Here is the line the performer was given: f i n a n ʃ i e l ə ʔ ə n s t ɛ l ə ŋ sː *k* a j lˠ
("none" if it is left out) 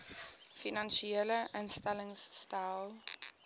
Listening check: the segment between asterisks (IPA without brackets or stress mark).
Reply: t